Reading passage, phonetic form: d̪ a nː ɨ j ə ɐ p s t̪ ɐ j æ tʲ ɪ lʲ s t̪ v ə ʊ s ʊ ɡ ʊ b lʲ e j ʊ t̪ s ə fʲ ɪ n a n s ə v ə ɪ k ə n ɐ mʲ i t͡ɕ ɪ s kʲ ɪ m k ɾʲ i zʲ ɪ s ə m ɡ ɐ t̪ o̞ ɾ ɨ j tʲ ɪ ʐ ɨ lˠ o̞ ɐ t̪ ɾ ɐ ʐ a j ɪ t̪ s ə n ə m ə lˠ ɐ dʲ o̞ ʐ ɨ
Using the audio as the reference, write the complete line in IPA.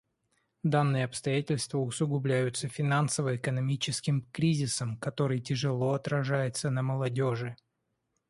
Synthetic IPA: d̪ a nː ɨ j ə ɐ p s t̪ ɐ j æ tʲ ɪ lʲ s t̪ v ə ʊ s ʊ ɡ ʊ b lʲ æ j ʊ t̪ s ə fʲ ɪ n a n s ə v ə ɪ k ə n ɐ mʲ i t͡ɕ ɪ s kʲ ɪ m k ɾʲ i zʲ ɪ s ə m k ɐ t̪ o̞ ɾ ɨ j tʲ ɪ ʐ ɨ lˠ o̞ ɐ t̪ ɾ ɐ ʐ a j ɪ t̪ s ə n ə m ə lˠ ɐ dʲ o̞ ʐ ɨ